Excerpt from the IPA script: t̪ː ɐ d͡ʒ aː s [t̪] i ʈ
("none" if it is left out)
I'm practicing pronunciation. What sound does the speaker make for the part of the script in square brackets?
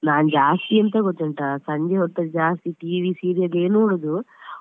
t̪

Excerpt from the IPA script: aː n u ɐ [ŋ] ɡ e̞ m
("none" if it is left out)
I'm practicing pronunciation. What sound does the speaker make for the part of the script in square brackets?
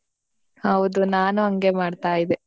ŋ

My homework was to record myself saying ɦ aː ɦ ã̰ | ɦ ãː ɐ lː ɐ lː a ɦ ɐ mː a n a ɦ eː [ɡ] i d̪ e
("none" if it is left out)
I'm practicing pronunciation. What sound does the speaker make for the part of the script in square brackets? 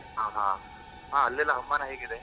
ɡ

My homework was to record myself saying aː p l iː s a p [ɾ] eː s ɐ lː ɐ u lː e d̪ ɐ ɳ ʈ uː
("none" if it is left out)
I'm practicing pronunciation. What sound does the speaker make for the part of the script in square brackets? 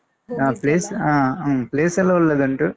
l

